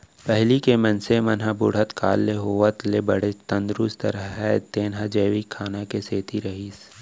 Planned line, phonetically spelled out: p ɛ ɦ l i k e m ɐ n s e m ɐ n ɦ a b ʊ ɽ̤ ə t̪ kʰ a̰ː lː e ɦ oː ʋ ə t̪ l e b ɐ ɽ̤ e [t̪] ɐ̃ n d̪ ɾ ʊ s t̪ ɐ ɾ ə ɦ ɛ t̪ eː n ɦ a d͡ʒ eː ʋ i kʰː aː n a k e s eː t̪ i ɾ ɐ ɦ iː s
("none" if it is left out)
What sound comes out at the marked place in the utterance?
t̪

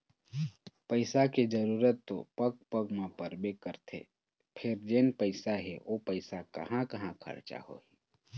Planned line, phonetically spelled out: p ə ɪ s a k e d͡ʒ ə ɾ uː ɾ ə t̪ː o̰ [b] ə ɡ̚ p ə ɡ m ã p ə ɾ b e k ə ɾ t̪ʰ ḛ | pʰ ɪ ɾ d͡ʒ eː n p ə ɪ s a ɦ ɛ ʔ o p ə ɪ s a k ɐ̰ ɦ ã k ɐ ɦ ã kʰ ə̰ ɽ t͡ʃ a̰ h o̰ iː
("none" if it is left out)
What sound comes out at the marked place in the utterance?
p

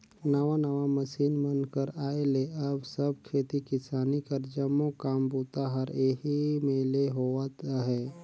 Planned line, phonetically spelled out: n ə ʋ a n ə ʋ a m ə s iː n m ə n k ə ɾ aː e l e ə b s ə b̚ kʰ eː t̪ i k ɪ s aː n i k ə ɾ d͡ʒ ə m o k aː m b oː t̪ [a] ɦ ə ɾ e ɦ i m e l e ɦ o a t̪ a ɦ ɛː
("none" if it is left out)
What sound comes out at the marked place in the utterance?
a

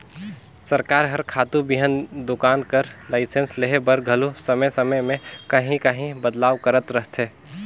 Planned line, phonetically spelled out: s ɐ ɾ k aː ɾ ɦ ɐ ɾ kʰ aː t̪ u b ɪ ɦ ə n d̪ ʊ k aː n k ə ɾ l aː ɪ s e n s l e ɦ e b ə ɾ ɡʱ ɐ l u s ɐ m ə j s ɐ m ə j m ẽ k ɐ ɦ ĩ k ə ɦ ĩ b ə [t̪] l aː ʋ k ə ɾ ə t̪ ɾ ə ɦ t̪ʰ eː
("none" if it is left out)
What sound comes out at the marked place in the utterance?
d̪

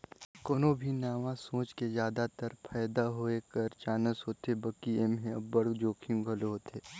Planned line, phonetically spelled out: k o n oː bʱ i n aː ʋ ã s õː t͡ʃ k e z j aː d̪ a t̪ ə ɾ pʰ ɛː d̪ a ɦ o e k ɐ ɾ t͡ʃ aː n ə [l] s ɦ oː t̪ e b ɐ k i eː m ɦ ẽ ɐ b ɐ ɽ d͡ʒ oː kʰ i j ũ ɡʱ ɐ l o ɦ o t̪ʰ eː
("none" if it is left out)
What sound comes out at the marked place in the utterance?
none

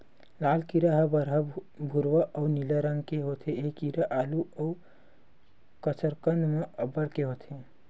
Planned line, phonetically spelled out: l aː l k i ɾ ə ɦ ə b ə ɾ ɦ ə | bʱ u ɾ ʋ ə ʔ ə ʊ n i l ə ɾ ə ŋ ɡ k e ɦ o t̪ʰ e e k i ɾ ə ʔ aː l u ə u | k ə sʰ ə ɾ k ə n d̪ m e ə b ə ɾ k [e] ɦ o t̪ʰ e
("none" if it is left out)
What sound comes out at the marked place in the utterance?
e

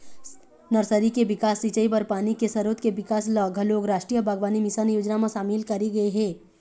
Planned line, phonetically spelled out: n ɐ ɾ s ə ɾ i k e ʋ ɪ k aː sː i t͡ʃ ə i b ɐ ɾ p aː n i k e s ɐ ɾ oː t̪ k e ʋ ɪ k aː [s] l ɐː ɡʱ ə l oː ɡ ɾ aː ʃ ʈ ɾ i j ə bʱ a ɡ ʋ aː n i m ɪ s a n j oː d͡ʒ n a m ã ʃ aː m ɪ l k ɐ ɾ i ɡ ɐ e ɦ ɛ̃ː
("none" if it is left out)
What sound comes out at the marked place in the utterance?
s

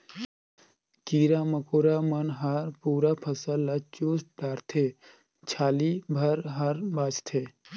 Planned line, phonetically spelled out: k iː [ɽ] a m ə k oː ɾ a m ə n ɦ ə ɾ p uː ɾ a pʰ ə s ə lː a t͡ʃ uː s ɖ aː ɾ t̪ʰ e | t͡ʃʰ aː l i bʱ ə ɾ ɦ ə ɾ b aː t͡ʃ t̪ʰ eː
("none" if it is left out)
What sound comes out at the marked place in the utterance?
ɾ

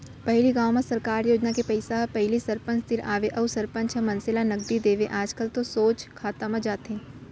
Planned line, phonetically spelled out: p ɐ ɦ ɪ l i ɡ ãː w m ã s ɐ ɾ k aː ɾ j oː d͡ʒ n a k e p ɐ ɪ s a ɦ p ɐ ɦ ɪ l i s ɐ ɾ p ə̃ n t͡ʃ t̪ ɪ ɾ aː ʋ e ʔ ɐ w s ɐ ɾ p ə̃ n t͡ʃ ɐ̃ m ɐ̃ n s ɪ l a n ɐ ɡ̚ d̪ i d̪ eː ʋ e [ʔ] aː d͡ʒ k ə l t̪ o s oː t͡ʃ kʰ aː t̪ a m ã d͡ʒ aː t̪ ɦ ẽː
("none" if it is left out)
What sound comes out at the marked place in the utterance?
ʔ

